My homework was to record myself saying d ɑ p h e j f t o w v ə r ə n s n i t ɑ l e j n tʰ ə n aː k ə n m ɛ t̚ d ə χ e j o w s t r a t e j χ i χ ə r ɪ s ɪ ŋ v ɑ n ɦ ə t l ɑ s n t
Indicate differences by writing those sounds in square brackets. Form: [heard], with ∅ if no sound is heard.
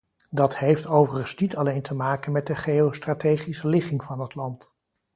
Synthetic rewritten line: d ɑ [t] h e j f t o w v ə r ə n s n i t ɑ l e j n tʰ ə [m] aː k ə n m ɛ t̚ d ə χ e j o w s t r a t e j χ i [s] ə [l] ɪ [χ] ɪ ŋ v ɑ n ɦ ə t l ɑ [∅] n t